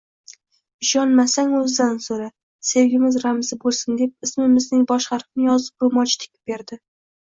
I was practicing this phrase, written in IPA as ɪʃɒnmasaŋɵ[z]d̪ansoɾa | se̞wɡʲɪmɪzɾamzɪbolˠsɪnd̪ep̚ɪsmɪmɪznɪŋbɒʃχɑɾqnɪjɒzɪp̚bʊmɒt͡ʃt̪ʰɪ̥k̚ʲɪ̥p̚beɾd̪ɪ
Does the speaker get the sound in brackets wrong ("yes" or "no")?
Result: no